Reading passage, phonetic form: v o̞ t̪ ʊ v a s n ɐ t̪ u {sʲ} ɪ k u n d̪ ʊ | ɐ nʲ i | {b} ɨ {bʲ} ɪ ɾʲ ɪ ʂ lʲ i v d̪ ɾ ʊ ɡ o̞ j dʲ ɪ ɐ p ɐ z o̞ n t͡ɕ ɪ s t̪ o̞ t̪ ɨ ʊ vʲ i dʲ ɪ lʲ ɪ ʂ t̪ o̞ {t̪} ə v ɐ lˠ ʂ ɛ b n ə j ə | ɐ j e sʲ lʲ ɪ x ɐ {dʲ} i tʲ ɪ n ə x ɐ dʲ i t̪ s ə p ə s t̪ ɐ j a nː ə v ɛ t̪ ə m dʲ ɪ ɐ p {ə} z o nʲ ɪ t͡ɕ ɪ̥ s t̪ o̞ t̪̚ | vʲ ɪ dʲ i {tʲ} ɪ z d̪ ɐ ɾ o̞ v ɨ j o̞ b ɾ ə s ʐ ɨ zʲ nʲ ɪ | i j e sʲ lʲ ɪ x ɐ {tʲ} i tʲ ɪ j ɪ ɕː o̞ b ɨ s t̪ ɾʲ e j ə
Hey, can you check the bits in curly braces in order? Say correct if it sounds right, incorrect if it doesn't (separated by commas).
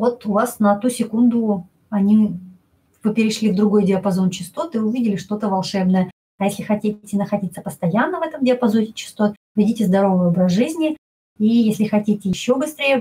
correct, incorrect, incorrect, correct, incorrect, incorrect, correct, correct